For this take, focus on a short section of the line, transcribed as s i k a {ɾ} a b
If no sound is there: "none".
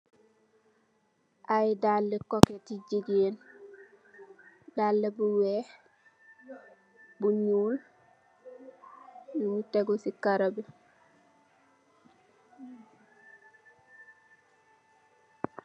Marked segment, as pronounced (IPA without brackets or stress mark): ɾ